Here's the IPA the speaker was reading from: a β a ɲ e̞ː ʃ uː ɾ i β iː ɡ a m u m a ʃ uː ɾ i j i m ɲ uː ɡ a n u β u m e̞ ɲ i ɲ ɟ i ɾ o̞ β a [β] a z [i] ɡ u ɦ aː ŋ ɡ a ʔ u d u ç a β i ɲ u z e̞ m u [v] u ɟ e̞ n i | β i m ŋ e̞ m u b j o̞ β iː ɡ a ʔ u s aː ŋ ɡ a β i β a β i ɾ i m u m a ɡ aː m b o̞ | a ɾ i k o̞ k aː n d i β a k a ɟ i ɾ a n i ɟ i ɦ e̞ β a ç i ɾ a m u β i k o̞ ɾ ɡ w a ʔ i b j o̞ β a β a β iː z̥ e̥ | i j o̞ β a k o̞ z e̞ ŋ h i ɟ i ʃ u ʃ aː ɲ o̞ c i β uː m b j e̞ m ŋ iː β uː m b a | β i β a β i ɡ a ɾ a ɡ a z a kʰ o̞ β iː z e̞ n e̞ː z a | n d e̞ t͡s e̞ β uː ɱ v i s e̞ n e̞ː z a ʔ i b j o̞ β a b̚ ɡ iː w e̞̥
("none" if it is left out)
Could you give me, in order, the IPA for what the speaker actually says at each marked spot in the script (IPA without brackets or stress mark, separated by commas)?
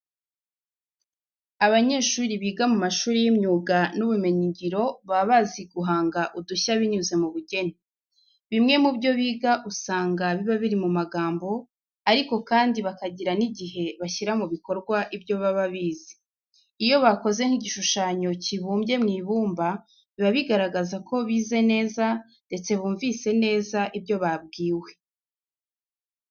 β, i, β